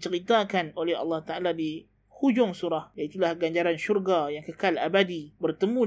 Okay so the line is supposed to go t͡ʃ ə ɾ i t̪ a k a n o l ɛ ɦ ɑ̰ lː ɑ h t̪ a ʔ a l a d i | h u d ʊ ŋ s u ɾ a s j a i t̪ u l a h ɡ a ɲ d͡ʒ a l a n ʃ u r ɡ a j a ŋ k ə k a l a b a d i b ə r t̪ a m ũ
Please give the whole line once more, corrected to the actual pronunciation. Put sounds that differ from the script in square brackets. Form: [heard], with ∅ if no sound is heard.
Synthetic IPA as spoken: t͡ʃ ə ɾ i t̪ a k a n o l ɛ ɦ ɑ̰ lː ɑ h t̪ a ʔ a l a d i | h u [d͡ʒ] ʊ ŋ s u ɾ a [h] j a i t̪ u l a h ɡ a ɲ d͡ʒ a [ɾ] a n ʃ u r ɡ a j a ŋ k ə k a l a b a d i b ə r t̪ [ə] m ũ